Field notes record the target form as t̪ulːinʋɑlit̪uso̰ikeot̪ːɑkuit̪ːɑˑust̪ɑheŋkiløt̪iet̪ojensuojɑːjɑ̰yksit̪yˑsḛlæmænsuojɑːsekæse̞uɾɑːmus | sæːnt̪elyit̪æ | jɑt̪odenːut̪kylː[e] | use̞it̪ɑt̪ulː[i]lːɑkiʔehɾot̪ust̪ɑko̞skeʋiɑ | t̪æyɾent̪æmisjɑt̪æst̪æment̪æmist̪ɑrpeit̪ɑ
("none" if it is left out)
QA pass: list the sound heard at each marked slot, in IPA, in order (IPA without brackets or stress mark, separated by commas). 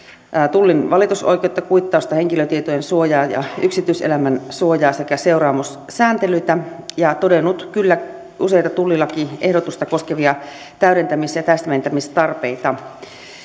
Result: æ, i